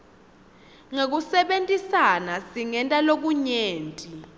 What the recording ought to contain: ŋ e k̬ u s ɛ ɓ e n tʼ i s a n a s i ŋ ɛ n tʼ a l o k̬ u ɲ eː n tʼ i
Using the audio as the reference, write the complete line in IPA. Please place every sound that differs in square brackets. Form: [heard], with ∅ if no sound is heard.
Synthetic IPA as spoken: ŋ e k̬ u s ɛ ɓ e n tʼ i s a n a s i ŋ ɛ n tʼ a l o k̬ u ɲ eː n tʼ i

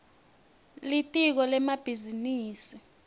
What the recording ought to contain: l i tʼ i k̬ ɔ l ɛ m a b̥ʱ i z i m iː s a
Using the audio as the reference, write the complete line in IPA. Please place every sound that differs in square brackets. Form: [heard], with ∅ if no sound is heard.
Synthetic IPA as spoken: l i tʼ i k̬ ɔ l ɛ m a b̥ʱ i z i [n] iː s [i]

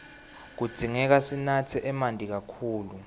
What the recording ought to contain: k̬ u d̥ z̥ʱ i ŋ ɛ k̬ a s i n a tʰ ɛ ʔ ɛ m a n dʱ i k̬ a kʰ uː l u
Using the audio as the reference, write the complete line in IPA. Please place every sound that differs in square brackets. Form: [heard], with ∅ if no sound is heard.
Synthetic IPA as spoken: k̬ u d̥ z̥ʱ i ŋ ɛ k̬ a s i n a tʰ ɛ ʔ ɛ m a n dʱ i k̬ a kʰ uː l u

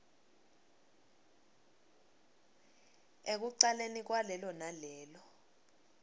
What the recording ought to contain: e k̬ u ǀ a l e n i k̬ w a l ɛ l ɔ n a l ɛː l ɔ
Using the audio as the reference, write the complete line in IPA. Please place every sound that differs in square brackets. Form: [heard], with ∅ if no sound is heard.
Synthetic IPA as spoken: e k̬ u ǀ a l e n i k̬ w a l ɛ l ɔ n a l ɛː l ɔ

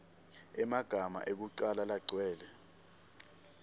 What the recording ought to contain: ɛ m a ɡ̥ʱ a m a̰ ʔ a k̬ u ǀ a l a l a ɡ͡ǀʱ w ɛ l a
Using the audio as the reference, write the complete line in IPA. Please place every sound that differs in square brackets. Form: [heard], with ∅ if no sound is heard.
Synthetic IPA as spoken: ɛ m a ɡ̥ʱ a m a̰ ʔ [e] k̬ u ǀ a l a l a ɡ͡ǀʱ w [ɛː] l [ɛ]

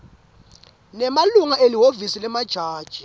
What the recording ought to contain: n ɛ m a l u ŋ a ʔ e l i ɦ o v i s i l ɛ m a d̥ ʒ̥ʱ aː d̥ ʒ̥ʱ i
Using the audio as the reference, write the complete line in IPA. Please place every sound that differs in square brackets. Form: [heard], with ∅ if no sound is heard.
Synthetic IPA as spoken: n ɛ m a l u ŋ a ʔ e l i ɦ o v i s i l ɛ m a d̥ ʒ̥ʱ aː d̥ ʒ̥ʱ i

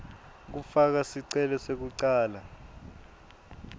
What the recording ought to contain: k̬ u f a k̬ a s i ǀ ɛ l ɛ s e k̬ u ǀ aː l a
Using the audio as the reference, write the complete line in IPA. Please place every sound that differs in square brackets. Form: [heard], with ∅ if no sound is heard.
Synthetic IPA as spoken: k̬ u f a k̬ a s i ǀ ɛ l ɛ s e k̬ u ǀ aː l a

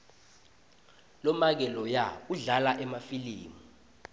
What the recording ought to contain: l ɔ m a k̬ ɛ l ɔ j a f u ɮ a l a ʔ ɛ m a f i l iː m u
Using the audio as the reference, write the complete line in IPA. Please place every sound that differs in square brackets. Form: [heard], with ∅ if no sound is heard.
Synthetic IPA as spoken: l ɔ m a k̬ ɛ l ɔ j a [∅] u ɮ a l a ʔ ɛ m a f i l iː m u

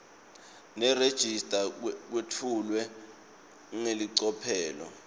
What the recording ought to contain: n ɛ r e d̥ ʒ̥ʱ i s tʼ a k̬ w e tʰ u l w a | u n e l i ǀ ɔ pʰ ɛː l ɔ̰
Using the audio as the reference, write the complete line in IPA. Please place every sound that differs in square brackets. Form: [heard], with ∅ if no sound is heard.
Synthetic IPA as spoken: n ɛ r e d̥ ʒ̥ʱ i s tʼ a k̬ w e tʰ u l w [ɛ] | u [ŋ] e l i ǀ ɔ pʰ ɛː l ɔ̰

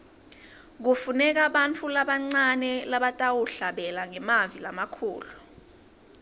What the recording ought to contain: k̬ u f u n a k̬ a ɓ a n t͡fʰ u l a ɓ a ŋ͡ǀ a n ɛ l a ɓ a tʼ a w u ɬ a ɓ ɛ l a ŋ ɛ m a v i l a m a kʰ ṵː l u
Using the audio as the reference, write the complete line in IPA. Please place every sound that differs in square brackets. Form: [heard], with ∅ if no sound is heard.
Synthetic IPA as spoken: k̬ u f u n [ɛ] k̬ a ɓ a n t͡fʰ u l a ɓ a ŋ͡ǀ a n ɛ l a ɓ a tʼ a w u ɬ a ɓ ɛ l a ŋ ɛ m a v i l a m a kʰ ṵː l u

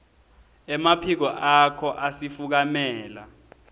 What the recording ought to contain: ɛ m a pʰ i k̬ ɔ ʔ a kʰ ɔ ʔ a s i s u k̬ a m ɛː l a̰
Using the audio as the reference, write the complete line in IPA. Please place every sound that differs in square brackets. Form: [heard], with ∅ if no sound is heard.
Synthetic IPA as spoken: ɛ m a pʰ i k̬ ɔ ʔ a kʰ ɔ ʔ a s i [f] u k̬ a m ɛː l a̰

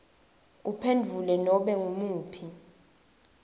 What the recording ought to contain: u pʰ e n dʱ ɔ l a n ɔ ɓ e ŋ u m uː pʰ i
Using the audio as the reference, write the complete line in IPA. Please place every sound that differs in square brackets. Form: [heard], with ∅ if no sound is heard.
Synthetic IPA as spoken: u pʰ e n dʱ [u] l [ɛ] n ɔ ɓ [ɛ] ŋ u m uː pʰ i

